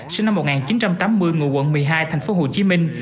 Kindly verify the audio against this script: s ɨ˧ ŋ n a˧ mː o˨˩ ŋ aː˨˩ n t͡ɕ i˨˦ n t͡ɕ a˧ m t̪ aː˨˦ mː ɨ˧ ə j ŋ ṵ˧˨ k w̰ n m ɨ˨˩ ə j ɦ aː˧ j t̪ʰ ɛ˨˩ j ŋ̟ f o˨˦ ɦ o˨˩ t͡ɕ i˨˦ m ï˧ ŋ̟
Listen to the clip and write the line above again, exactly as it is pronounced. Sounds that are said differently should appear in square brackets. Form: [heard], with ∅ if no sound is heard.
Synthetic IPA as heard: s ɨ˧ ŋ n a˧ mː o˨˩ ŋ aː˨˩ n t͡ɕ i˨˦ n t͡ɕ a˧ m t̪ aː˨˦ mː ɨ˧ ə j ŋ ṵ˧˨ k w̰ n m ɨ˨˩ ə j ɦ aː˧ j t̪ʰ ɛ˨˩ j ŋ̟ f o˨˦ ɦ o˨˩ t͡ɕ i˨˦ m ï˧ ŋ̟